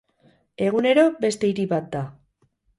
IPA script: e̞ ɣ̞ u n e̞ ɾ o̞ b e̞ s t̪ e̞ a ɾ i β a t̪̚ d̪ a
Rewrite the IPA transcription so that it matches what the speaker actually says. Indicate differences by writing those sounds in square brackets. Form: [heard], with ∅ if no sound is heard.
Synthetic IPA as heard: e̞ ɣ̞ u n e̞ ɾ o̞ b e̞ s t̪ e̞ [i] ɾ i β a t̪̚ d̪ a